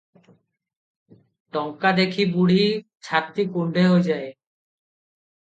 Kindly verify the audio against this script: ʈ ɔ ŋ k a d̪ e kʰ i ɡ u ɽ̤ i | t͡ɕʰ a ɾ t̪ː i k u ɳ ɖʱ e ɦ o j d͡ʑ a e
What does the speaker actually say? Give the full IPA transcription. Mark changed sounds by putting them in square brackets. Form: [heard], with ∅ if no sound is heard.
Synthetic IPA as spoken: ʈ ɔ ŋ k a d̪ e kʰ i [b] u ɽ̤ i | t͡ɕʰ a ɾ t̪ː i k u ɳ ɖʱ e ɦ o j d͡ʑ a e

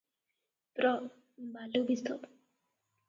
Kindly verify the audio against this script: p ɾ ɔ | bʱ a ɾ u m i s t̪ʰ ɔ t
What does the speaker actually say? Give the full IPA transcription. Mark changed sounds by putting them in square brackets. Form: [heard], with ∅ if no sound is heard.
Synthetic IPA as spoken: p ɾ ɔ | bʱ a [l] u [b] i s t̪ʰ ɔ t

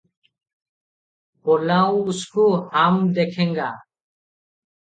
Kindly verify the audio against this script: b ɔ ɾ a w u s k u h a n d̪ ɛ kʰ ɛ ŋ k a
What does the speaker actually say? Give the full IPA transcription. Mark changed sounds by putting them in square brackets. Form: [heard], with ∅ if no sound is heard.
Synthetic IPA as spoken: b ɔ [l] a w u s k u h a [m] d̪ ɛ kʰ ɛ ŋ [ɡ] a

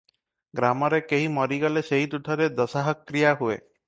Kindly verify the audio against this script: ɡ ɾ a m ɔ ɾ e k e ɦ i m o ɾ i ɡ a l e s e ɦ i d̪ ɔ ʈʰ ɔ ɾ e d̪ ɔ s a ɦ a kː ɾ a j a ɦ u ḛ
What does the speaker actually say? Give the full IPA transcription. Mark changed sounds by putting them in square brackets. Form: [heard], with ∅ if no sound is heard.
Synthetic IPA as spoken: ɡ ɾ a m ɔ ɾ e k e ɦ i m [ɔ] ɾ i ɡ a l e s e ɦ i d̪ [u] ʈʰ ɔ ɾ e d̪ ɔ s a ɦ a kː ɾ [i] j a ɦ u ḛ

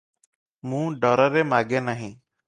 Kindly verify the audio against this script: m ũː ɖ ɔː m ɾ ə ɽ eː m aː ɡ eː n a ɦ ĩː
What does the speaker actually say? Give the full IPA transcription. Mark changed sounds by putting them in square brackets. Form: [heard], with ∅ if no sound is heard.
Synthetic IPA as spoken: m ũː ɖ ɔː [∅] ɾ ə [ɾ] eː m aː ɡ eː n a ɦ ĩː

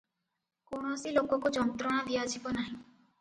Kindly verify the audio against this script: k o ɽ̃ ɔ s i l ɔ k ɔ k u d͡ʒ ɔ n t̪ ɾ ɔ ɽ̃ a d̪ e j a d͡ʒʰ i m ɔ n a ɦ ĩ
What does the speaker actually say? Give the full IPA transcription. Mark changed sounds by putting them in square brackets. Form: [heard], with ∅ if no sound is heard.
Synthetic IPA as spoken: k o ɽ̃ ɔ s i l [o] k ɔ k u d͡ʒ ɔ n t̪ ɾ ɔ ɽ̃ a d̪ [i] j a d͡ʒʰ i [b] ɔ n a ɦ ĩ

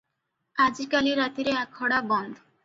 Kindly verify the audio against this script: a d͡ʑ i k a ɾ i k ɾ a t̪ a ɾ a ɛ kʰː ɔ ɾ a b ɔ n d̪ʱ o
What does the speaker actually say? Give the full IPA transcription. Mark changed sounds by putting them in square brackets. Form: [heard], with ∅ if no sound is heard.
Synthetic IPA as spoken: a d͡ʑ i k a [l] i [∅] ɾ a t̪ [i] ɾ [e] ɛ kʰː ɔ [ɽ] a b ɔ n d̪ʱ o

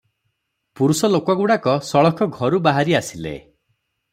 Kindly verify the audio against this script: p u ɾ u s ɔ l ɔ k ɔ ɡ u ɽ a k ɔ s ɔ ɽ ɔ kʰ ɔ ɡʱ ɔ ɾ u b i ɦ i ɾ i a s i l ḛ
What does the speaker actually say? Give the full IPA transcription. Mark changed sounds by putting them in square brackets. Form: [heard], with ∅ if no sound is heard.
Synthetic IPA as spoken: p u ɾ u s ɔ l [o] k ɔ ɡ u ɽ a k ɔ s ɔ [ɭ] ɔ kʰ ɔ ɡʱ ɔ ɾ u b [a] ɦ [a] ɾ i a s i l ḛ

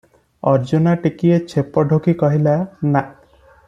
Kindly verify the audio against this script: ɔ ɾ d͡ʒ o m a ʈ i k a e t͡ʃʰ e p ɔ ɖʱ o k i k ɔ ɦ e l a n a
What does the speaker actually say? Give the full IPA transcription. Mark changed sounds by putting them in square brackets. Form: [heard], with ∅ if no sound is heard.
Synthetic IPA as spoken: ɔ ɾ d͡ʒ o [n] a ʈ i k [i] e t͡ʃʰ e p ɔ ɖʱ o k i k ɔ ɦ [i] l a n a

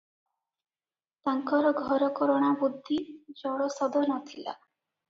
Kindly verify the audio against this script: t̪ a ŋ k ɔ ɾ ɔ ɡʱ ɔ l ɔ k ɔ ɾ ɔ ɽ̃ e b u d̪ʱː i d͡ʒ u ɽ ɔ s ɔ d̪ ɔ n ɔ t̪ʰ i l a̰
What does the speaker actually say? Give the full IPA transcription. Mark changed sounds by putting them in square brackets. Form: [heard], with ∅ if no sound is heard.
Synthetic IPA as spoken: t̪ a ŋ k ɔ ɾ ɔ ɡʱ ɔ [ɾ] ɔ k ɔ ɾ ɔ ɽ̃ [a] b u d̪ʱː i d͡ʒ [ɔ] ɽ ɔ s ɔ d̪ ɔ n ɔ t̪ʰ i l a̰

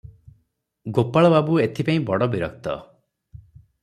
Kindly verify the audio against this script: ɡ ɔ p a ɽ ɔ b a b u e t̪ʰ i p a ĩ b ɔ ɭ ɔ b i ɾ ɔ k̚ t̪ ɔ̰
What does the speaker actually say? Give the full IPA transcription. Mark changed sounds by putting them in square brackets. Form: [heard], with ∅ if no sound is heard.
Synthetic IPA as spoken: ɡ [o] p a [ɭ] ɔ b a b u e t̪ʰ i p a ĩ b ɔ [ɽ] ɔ b i ɾ ɔ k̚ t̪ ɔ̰

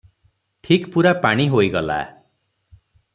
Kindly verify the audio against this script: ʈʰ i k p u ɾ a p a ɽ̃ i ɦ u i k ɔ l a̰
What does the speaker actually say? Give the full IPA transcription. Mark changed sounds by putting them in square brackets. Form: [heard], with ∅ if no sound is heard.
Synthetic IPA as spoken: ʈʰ i k p u ɾ a p a ɽ̃ i ɦ [o] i [ɡ] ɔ l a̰

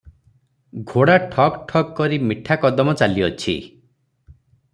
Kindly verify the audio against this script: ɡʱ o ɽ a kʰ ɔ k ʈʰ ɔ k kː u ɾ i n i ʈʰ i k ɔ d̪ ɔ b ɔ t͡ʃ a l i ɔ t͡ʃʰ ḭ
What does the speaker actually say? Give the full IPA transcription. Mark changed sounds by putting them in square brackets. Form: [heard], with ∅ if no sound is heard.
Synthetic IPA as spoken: ɡʱ o ɽ a [ʈʰ] ɔ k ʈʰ ɔ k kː [ɔ] ɾ i [m] i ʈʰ [a] k ɔ d̪ ɔ [m] ɔ t͡ʃ a l i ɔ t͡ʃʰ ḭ

